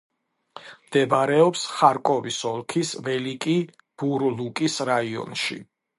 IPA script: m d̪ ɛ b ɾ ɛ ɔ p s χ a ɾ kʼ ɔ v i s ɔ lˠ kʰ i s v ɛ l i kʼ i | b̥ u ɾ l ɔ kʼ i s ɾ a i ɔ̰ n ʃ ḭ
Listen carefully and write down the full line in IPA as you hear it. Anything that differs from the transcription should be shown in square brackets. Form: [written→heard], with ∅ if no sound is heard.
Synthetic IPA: m d̪ ɛ b ɾ ɛ ɔ p s χ a ɾ kʼ ɔ v i s ɔ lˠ kʰ i s v ɛ l i kʼ i | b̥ u ɾ l [ɔ→u] kʼ i s ɾ a i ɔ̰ n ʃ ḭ